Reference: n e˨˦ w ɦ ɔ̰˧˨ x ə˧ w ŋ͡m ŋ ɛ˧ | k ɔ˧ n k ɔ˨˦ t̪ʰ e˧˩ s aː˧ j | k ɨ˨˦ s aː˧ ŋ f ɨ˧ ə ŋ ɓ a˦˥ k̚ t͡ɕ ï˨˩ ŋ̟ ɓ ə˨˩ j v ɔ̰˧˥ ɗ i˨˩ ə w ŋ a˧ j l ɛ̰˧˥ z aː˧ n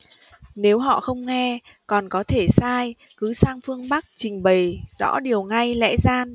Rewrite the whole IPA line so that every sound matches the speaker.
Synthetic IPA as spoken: n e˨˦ w ɦ ɔ̰˧˨ x ə˧ w ŋ͡m ŋ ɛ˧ | k ɔ˨˩ n k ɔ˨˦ t̪ʰ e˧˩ s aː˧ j | k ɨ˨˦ s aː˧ ŋ f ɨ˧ ə ŋ ɓ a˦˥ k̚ t͡ɕ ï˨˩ ŋ̟ ɓ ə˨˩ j z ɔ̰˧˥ ɗ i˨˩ ə w ŋ a˧ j l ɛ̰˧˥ z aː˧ n